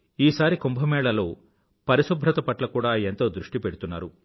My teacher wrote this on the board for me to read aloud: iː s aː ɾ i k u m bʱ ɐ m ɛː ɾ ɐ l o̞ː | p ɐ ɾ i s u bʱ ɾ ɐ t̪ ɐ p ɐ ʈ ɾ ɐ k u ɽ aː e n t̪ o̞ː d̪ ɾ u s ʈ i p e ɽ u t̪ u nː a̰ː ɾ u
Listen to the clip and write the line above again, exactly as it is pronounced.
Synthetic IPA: iː s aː ɾ i k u m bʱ ɐ m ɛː ɭ ɐ l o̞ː | p ɐ ɾ i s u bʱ ɾ ɐ t̪ ɐ p ɐ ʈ l ɐ k uː ɽ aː e n t̪ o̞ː d̪ ɾ u ʂ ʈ i p e ɽ u t̪ u nː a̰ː ɾ u